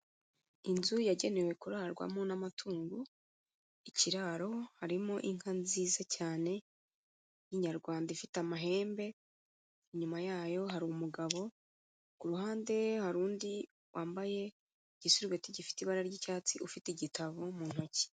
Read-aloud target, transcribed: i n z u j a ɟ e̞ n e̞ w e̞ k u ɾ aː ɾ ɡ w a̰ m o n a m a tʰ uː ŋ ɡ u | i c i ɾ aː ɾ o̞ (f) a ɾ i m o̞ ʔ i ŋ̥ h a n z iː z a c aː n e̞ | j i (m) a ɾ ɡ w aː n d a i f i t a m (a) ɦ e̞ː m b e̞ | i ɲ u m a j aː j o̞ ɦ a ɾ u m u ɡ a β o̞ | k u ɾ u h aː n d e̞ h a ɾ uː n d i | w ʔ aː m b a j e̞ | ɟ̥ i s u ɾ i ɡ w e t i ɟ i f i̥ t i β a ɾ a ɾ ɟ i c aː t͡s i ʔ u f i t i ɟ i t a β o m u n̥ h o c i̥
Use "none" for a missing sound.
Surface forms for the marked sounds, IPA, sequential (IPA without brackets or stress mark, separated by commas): h, ɲ, a